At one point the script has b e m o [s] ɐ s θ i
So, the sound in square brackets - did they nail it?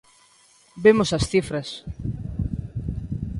yes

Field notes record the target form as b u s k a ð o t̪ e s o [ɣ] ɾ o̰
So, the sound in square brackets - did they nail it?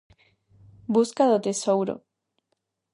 no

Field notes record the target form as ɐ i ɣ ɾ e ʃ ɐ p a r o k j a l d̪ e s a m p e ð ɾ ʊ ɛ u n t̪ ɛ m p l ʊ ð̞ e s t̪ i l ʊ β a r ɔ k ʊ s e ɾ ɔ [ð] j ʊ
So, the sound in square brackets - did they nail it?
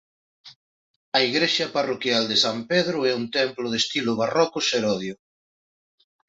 yes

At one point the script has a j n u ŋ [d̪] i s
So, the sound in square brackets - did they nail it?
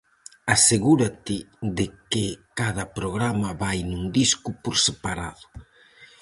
yes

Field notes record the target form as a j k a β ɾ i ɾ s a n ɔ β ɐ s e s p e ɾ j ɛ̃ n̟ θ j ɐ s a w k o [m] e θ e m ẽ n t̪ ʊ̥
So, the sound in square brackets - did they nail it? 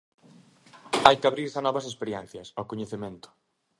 no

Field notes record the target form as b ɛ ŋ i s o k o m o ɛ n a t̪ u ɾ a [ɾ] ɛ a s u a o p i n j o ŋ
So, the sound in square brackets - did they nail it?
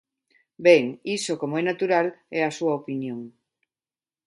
no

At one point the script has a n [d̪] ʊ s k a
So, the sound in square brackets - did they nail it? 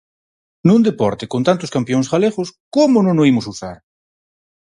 no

